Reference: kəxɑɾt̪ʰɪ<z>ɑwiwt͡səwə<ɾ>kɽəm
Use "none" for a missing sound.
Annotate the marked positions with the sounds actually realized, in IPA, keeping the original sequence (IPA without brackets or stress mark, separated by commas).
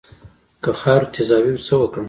z, none